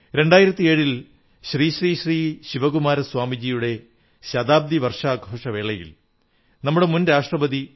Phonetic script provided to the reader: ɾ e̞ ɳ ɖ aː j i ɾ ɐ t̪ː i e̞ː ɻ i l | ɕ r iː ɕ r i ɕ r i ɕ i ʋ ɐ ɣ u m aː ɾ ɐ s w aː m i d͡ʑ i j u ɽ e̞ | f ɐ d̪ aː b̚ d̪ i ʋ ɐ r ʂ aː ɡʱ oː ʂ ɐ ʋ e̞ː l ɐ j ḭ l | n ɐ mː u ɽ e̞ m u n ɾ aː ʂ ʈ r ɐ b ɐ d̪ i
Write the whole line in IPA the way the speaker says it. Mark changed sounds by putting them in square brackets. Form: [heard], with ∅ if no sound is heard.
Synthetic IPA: ɾ e̞ ɳ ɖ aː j i ɾ ɐ t̪ː i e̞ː ɻ i l | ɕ r iː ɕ r [iː] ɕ r [iː] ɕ i ʋ ɐ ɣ u m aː ɾ ɐ s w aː m i d͡ʑ i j u ɽ e̞ | [ɕ] ɐ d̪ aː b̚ d̪ i ʋ ɐ r ʂ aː ɡʱ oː ʂ ɐ ʋ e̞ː [ɭ] ɐ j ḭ l | n ɐ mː u ɽ e̞ m u n ɾ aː ʂ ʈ r ɐ b ɐ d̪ i